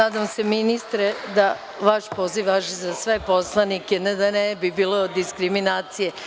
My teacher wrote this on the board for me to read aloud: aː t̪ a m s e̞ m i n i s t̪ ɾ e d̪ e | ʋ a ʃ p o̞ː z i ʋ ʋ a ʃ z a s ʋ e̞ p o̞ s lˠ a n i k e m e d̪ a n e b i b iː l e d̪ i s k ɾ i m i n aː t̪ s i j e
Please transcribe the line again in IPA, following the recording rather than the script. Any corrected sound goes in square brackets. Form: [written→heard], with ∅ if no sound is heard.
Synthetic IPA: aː [t̪→d̪] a m s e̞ m i n i s t̪ ɾ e d̪ [e→a] | ʋ a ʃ p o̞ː z i ʋ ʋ a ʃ z a s ʋ e̞ p o̞ s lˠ a n i k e [m→n] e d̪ a n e b i b iː l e d̪ i s k ɾ i m i n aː t̪ s i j e